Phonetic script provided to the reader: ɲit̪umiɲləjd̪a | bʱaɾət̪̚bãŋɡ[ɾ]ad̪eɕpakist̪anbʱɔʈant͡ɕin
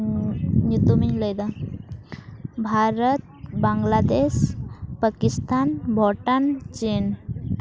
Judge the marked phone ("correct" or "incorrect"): incorrect